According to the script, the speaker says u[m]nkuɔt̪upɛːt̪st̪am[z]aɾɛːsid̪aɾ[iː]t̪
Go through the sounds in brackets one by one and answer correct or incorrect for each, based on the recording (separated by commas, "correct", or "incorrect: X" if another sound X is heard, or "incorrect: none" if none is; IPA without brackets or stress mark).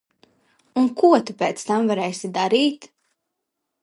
incorrect: none, incorrect: v, correct